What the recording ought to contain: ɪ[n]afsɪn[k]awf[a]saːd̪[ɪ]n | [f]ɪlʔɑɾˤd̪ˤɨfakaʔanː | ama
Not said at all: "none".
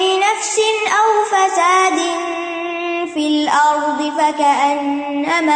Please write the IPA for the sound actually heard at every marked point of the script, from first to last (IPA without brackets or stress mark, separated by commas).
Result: n, ʔ, a, ɪ, f